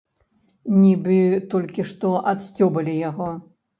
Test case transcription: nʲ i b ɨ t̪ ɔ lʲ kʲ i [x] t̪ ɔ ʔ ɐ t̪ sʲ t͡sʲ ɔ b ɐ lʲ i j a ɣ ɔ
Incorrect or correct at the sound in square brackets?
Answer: incorrect: ʂ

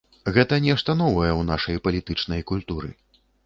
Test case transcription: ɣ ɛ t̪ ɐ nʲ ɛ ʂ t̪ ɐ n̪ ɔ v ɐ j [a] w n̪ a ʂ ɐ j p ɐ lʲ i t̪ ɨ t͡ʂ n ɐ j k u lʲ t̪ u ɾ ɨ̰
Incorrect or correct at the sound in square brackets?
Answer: incorrect: ɛ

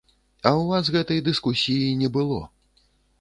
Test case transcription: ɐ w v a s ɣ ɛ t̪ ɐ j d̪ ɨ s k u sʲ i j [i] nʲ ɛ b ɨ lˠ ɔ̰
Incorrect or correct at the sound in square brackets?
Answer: correct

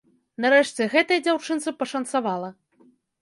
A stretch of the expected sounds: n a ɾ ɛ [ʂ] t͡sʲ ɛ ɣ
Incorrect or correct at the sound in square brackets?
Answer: correct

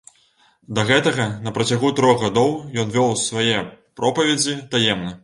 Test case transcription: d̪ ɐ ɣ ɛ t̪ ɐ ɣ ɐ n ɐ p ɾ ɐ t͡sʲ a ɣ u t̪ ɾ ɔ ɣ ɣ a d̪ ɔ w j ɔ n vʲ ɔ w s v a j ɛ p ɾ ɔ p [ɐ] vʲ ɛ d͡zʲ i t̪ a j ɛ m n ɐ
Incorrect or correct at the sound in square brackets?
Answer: correct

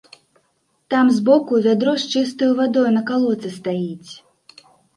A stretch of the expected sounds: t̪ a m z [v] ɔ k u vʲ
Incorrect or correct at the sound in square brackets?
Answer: incorrect: b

